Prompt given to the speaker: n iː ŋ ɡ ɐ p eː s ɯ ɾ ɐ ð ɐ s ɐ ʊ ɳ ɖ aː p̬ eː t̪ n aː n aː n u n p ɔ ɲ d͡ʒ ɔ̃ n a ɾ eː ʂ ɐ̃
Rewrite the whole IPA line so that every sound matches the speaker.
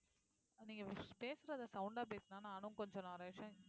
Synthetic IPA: n iː ŋ ɡ ɐ p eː s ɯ ɾ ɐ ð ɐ s ɐ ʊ ɳ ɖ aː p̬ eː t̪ n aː n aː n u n k ɔ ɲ d͡ʒ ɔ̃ n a ɾ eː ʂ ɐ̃

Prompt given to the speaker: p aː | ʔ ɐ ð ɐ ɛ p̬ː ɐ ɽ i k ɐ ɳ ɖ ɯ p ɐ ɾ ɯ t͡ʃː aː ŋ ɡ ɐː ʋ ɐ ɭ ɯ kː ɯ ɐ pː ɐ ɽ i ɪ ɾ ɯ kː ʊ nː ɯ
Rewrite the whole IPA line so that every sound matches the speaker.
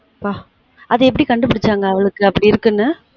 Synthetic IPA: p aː | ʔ ɐ ð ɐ ɛ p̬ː ɐ ɽ i k ɐ ɳ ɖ ɯ p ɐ ɽ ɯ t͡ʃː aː ŋ ɡ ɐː ʋ ɐ ɭ ɯ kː ɯ ɐ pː ɐ ɽ i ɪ ɾ ɯ kː ɯ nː ɯ

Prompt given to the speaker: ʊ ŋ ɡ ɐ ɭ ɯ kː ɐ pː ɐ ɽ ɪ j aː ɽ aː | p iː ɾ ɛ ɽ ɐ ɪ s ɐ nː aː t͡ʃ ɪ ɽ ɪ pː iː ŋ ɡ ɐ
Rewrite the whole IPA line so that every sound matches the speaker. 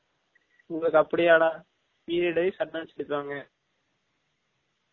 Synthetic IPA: ʊ ŋ ɡ ɐ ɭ ɯ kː ɐ pː ɐ ɽ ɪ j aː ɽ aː | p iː ɾ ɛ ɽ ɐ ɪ s ɐ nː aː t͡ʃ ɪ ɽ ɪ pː aː ŋ ɡ ɐ

